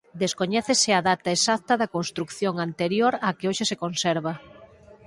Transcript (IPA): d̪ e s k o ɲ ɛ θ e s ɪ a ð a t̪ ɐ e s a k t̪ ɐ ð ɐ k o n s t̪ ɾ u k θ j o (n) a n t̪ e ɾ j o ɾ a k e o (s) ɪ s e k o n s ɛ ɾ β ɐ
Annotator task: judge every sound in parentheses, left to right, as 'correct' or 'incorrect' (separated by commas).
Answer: incorrect, incorrect